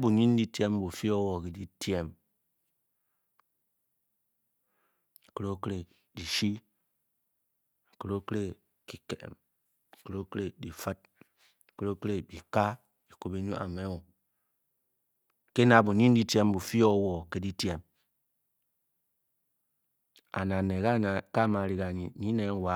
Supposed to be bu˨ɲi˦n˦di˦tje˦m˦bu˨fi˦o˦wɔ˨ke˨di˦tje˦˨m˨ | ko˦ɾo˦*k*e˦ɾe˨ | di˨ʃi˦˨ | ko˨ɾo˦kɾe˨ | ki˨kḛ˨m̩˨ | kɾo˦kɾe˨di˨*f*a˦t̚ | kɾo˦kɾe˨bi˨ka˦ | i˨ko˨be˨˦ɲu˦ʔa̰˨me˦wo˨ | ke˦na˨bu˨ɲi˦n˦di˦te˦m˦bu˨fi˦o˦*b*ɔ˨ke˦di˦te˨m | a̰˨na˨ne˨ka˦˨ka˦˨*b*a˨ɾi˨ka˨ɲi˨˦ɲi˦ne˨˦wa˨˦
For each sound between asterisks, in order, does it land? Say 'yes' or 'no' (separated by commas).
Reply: yes, yes, no, no